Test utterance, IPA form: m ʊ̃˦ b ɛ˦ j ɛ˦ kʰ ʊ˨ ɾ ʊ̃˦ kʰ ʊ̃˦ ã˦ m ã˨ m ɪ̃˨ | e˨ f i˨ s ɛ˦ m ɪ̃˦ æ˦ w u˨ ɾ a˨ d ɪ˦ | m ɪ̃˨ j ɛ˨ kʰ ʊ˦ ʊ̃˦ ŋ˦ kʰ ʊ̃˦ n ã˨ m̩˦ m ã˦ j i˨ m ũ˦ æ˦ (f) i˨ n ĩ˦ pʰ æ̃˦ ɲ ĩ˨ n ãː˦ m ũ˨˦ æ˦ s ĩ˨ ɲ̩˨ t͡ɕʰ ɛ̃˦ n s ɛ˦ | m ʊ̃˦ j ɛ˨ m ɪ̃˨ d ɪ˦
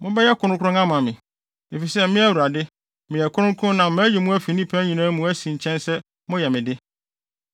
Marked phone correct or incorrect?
correct